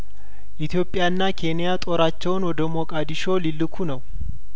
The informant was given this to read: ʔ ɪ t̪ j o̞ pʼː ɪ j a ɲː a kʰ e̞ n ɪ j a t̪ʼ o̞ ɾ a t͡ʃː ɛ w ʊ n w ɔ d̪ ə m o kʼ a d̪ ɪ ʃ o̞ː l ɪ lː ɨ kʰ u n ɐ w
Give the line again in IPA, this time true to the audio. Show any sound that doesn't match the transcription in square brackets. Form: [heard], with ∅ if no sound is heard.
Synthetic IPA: ʔ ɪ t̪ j o̞ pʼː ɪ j a [nː] a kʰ e̞ n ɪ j a t̪ʼ o̞ ɾ a t͡ʃː ɛ w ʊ n w ɔ d̪ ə m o kʼ a d̪ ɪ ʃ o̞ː l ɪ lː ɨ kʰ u n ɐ w